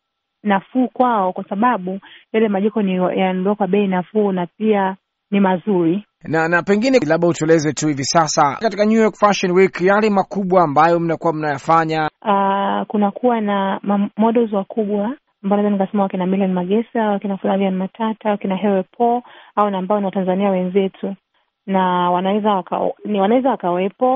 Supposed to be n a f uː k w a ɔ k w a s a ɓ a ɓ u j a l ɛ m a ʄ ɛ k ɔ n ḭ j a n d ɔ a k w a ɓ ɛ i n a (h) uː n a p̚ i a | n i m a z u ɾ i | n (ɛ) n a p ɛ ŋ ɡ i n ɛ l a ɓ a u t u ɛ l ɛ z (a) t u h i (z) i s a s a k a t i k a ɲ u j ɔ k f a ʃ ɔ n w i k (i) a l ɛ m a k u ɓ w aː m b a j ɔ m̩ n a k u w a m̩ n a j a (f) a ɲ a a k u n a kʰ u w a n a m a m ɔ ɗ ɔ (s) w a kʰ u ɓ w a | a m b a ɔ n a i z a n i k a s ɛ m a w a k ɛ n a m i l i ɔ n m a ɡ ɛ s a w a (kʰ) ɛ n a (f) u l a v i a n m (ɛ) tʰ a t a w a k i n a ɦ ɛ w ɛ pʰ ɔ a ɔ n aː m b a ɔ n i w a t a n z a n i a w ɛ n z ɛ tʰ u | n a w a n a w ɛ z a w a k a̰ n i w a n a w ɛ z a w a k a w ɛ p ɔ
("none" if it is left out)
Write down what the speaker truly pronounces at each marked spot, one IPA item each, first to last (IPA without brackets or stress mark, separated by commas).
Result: f, a, ɛ, v, j, f, z, k, f, a